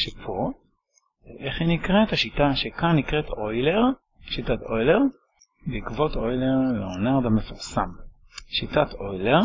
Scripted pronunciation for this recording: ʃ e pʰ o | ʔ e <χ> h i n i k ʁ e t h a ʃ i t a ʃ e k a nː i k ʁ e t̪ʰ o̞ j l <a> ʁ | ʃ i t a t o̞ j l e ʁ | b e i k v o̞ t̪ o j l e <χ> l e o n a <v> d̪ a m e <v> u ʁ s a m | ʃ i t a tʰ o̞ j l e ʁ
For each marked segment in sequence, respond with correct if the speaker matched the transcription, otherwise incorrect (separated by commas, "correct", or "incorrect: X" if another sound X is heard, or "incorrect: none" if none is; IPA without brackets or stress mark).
correct, incorrect: e, incorrect: ʁ, incorrect: ʁ, incorrect: f